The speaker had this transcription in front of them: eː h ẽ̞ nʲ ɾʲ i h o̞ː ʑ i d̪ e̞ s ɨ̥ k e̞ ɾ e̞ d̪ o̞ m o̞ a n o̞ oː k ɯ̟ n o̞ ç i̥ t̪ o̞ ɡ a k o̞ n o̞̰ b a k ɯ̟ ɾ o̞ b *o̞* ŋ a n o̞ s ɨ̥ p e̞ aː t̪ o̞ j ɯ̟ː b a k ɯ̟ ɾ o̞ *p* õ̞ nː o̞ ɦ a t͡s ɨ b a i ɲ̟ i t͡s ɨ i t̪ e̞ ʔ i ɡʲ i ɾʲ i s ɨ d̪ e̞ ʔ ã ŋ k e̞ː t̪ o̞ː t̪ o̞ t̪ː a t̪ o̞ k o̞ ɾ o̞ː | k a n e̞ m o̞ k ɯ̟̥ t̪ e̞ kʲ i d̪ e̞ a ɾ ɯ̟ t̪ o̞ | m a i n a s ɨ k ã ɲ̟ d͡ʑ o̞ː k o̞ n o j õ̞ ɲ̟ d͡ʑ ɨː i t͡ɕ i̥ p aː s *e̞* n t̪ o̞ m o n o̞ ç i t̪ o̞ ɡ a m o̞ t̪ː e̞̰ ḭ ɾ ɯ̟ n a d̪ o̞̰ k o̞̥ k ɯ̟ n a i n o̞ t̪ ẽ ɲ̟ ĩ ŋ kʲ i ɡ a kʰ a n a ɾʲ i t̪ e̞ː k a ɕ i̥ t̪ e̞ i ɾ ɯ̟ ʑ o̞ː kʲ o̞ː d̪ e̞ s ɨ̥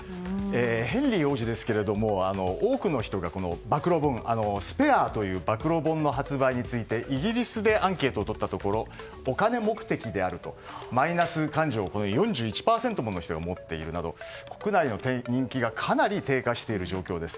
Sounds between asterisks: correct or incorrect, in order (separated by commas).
incorrect, incorrect, incorrect